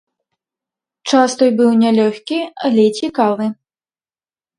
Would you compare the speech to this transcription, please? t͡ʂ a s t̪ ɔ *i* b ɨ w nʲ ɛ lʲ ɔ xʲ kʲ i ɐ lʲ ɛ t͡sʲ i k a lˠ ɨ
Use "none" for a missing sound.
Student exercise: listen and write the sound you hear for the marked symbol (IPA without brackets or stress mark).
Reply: j